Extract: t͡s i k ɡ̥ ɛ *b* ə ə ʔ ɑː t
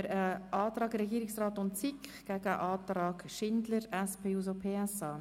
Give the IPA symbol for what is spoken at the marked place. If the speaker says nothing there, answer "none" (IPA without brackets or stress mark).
ɡ